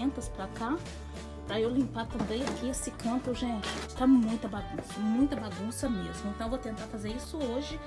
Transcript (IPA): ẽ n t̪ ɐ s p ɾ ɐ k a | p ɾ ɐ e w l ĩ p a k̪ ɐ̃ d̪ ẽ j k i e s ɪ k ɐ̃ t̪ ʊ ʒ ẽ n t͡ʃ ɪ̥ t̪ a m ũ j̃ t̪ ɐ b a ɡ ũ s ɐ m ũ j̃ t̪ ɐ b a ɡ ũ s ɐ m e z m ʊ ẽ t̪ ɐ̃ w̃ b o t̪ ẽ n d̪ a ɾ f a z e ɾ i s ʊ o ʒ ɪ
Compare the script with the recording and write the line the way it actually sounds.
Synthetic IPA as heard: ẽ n t̪ ɐ s p ɾ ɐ k a | p ɾ ɐ e w l ĩ p a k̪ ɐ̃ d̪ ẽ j k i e s ɪ k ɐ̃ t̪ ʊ ʒ ẽ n t͡ʃ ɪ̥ t̪ a m ũ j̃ t̪ ɐ b a ɡ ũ s ɐ m ũ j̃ t̪ ɐ b a ɡ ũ s ɐ m e z m ʊ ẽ t̪ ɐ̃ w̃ v o t̪ ẽ n t̪ a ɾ f a z e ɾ i s ʊ o ʒ ɪ